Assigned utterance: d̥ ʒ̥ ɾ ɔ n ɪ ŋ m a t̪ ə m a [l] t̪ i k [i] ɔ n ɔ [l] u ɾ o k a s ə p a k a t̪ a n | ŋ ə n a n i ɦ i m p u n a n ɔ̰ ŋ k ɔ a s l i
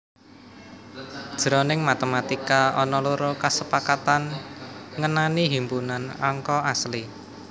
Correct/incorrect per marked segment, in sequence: incorrect: none, incorrect: a, correct

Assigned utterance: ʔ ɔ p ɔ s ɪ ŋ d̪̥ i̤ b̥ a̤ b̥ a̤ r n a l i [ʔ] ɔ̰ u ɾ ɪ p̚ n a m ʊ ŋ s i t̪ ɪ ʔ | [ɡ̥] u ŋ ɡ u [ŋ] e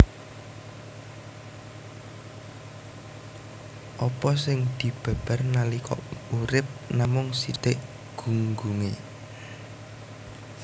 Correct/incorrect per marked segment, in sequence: incorrect: k, correct, correct

